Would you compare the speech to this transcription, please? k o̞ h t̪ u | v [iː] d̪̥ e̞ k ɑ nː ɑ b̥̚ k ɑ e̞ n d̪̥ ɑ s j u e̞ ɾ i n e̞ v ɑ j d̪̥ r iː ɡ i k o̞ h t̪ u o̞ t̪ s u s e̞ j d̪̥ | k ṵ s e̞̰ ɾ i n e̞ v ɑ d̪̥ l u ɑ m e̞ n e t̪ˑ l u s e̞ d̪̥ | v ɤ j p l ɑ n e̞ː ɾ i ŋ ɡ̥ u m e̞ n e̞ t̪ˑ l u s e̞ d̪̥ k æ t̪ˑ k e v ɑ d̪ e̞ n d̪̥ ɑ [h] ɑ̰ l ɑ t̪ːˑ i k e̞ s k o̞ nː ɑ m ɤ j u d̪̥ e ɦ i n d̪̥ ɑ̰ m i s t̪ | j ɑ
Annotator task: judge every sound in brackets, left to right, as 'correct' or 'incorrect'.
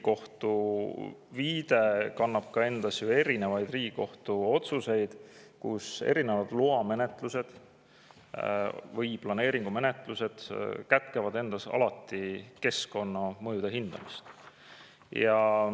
correct, incorrect

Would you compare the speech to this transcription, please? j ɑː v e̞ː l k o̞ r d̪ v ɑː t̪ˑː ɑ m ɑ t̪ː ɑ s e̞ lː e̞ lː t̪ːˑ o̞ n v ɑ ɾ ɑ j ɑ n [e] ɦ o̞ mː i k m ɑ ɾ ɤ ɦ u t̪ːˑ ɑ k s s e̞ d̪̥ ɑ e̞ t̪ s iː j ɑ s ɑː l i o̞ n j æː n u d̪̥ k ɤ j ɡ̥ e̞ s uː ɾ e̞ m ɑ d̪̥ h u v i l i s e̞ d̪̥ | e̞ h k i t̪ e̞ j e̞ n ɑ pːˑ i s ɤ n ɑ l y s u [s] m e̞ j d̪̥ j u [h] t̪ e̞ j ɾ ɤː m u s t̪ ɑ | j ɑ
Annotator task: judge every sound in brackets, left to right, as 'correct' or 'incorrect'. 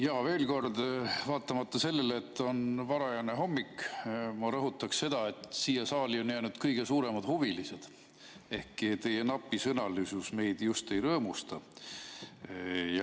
correct, correct, incorrect

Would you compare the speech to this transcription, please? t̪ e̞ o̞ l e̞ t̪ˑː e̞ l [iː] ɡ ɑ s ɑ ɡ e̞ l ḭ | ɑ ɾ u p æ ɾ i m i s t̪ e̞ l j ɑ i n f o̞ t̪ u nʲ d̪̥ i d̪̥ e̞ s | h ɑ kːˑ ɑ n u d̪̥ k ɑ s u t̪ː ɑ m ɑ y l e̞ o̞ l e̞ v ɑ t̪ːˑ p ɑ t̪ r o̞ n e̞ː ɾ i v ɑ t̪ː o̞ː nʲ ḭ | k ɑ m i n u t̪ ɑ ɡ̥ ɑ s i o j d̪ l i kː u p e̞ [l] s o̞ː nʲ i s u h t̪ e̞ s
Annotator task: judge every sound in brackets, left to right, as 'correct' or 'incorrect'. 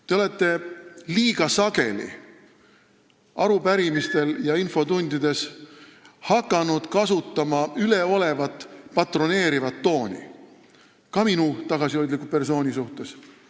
correct, incorrect

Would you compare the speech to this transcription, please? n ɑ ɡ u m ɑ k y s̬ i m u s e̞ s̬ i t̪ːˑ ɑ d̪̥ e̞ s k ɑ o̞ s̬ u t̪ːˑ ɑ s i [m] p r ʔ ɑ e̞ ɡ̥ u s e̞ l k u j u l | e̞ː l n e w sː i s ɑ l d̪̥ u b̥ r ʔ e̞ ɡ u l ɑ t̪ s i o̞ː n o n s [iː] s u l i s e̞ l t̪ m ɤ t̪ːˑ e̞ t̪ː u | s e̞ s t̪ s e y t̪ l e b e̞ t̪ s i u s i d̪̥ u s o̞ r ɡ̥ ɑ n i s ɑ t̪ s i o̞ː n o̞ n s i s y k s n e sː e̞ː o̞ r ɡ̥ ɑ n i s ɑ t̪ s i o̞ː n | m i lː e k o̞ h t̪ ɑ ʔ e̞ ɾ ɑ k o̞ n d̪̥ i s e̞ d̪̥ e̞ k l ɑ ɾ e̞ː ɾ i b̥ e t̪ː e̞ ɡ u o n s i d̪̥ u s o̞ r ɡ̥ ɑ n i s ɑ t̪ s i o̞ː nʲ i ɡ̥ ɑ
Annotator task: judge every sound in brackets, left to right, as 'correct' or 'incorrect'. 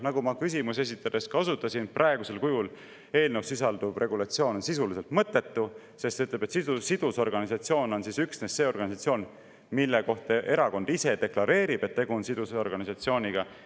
incorrect, incorrect

